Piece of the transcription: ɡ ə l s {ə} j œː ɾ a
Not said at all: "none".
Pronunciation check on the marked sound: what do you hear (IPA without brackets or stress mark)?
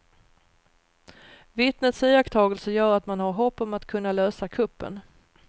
ə